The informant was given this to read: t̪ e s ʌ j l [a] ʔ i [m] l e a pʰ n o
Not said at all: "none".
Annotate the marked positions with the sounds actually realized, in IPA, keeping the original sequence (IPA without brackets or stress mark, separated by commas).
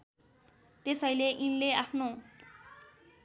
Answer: e, n